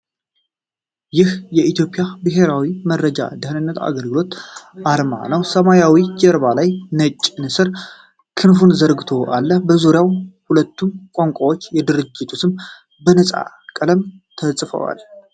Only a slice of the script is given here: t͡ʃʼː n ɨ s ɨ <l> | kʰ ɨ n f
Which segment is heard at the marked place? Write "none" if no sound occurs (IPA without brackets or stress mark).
ɾ